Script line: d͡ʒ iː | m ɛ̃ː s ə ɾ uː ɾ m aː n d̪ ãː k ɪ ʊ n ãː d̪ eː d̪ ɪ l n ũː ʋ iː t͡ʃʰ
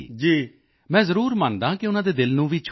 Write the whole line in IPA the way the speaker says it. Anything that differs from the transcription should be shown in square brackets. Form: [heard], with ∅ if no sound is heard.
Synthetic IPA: d͡ʒ iː | m ɛ̃ː [z] ə ɾ uː ɾ m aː n d̪ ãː k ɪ ʊ n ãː d̪ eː d̪ ɪ l n ũː ʋ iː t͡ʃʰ